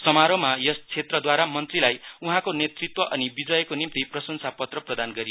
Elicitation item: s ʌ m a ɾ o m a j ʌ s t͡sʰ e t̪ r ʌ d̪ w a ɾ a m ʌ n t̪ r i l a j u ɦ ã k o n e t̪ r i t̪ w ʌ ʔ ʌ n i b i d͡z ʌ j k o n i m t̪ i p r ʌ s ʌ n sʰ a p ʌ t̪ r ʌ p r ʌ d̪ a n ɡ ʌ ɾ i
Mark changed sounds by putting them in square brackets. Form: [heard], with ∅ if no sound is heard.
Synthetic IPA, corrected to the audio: s ʌ m a ɾ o m a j ʌ s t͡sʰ e t̪ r ʌ d̪ w a ɾ a m ʌ n t̪ r i l a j u ɦ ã k o n e t̪ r i t̪ w ʌ ʔ ʌ n i b i d͡z ʌ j k o n i m t̪ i p r ʌ s ʌ n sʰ a p ʌ t̪ r ʌ p r ʌ d̪ a n ɡ ʌ ɾ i